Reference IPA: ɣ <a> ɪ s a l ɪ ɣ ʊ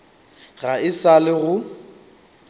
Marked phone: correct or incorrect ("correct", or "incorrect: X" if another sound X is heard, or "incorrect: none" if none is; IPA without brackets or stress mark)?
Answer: correct